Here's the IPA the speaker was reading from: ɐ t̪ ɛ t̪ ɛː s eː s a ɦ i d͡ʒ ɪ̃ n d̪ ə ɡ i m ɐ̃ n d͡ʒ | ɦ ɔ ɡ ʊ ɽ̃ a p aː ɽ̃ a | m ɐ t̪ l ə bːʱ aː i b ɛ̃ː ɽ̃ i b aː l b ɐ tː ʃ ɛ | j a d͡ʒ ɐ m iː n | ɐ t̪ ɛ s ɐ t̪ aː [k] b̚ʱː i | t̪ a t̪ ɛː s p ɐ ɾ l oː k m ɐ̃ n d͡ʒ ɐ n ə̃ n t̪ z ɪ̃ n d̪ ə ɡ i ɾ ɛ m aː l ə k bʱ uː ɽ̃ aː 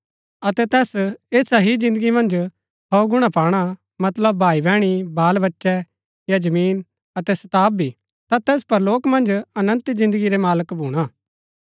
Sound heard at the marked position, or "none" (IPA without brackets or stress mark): none